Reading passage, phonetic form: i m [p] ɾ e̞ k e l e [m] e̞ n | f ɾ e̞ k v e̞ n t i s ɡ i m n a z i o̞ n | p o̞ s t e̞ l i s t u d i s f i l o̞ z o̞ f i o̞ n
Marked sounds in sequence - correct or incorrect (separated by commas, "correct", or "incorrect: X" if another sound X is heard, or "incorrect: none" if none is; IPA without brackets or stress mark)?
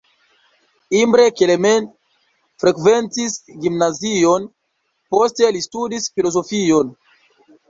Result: incorrect: b, correct